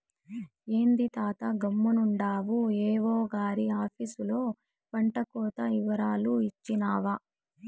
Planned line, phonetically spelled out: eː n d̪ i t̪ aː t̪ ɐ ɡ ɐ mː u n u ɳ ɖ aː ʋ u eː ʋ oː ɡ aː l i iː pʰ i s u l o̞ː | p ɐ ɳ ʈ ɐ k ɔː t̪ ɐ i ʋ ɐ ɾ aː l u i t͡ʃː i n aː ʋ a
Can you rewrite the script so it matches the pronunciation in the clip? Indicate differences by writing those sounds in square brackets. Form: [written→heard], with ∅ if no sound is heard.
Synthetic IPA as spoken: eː n d̪ i t̪ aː t̪ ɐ ɡ ɐ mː u n u ɳ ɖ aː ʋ u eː ʋ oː ɡ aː [l→ɾ] i [iː→aː] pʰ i s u l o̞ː | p ɐ ɳ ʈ ɐ k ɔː t̪ ɐ i ʋ ɐ ɾ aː l u i t͡ʃː i n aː ʋ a